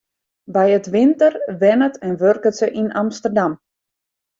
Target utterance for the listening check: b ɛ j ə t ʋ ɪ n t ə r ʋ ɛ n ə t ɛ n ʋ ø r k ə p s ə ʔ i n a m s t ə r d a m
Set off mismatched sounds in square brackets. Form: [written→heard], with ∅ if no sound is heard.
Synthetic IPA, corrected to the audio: b ɛ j ə t ʋ ɪ n t ə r ʋ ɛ n ə t ɛ n ʋ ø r k ə [p→t] s ə ʔ i n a m s t ə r d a m

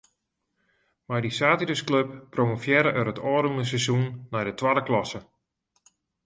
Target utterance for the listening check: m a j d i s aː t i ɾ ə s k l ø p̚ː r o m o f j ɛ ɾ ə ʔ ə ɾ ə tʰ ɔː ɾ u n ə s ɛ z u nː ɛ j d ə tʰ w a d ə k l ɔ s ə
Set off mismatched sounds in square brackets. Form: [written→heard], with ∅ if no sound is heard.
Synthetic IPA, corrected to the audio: m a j d i s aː t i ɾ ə s k l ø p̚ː r o m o f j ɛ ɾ ə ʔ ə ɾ ə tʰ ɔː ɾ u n ə s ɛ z u nː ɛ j d ə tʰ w a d ə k l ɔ s ə

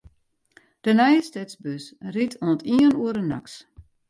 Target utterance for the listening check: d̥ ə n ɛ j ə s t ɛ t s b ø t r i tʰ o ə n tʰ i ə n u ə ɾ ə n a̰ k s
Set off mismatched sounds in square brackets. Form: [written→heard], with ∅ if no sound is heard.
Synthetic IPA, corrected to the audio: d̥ ə n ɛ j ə s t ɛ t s b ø [t→s] r i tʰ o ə n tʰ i ə n u ə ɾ ə n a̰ k s

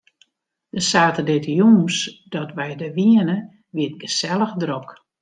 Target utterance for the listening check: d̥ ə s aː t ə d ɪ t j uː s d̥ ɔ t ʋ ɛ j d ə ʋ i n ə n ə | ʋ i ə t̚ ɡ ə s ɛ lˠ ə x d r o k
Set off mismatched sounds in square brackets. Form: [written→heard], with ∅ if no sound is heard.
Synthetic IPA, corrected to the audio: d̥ ə s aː t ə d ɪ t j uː s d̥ ɔ t ʋ ɛ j d ə ʋ i [n→∅] ə n ə | ʋ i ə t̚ ɡ ə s ɛ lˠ ə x d r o k

